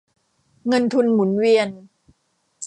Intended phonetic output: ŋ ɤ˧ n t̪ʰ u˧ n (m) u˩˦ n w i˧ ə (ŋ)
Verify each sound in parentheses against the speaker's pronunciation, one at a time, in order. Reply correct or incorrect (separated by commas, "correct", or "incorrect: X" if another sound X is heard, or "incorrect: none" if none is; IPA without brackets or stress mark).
correct, incorrect: n